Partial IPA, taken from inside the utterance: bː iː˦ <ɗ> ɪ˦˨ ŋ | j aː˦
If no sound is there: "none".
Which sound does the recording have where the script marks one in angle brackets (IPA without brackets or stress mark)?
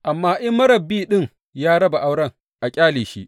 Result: ɗ